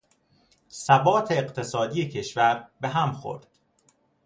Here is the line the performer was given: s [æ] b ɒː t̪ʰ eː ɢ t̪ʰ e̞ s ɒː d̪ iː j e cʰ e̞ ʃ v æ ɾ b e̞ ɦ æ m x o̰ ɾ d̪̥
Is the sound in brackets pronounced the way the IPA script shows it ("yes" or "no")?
yes